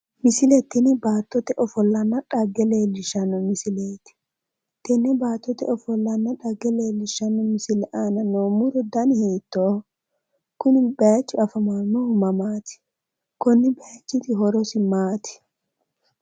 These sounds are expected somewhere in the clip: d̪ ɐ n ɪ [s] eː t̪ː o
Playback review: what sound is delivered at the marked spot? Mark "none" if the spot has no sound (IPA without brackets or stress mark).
h